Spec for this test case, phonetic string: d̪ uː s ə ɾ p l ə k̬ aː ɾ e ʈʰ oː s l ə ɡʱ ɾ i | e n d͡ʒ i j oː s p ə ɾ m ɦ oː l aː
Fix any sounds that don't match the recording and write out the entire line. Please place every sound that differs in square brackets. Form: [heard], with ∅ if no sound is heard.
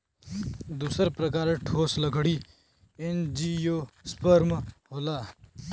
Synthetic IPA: d̪ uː s ə ɾ p [ɾ] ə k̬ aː ɾ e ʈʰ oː s l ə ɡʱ [ɽ] i | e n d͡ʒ i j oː s p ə ɾ m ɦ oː l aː